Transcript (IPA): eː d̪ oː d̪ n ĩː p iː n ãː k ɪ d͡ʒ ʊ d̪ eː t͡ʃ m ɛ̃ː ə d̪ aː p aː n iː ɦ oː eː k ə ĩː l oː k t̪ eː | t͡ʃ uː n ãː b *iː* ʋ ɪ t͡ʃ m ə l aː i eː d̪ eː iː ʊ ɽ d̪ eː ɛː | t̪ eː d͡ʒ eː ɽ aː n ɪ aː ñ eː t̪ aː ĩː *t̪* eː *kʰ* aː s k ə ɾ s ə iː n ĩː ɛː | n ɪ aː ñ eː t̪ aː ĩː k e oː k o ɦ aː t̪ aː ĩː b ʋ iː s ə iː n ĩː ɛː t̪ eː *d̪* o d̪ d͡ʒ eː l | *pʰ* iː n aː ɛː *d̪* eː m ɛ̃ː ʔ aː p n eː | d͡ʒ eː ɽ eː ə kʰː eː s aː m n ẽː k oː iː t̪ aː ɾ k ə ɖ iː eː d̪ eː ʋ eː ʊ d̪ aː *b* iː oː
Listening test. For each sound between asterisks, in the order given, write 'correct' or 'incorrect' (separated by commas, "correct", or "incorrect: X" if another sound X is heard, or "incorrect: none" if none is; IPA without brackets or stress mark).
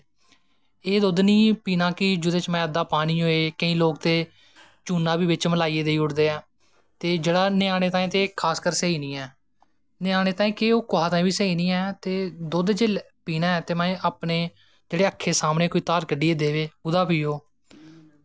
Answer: correct, correct, correct, correct, incorrect: p, incorrect: t̪, incorrect: p